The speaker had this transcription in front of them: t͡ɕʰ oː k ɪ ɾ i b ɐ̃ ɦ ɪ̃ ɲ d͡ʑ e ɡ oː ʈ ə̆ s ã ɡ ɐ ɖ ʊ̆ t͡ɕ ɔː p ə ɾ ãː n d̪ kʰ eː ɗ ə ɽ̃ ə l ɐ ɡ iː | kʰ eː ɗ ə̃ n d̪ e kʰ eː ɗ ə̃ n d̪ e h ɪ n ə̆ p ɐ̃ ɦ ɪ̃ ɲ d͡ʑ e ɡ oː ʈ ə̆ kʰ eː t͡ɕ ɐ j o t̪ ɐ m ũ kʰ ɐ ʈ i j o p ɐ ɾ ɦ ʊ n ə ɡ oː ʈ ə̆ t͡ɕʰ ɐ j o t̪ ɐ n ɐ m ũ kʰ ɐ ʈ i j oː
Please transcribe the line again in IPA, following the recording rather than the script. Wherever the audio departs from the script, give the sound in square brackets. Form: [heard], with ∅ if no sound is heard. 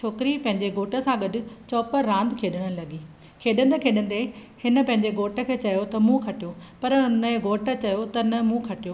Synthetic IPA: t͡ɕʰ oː k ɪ ɾ i [p] ɐ̃ ɦ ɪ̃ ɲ d͡ʑ e ɡ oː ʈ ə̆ s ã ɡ ɐ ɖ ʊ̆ t͡ɕ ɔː p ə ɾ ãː n d̪ kʰ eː ɗ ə ɽ̃ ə l ɐ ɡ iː | kʰ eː ɗ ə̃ n d̪ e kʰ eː ɗ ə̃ n d̪ e h ɪ n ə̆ p ɐ̃ ɦ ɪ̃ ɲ d͡ʑ e ɡ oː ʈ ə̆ kʰ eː t͡ɕ ɐ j o t̪ ɐ m ũ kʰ ɐ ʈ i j o p ɐ ɾ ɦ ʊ n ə ɡ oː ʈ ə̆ [t͡ɕ] ɐ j o t̪ ɐ n ɐ m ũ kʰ ɐ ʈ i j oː